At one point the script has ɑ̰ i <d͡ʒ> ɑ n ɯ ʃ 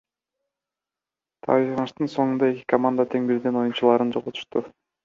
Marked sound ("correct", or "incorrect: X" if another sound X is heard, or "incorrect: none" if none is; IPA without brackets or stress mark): incorrect: none